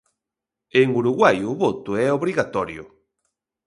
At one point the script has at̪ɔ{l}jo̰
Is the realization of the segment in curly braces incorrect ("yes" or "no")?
yes